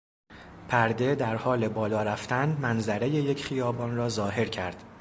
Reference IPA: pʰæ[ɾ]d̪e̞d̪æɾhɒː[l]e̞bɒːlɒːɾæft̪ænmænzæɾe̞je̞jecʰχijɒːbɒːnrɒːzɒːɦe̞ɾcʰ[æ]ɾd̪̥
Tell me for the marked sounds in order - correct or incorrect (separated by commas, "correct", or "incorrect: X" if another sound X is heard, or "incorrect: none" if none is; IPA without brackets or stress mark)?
correct, correct, correct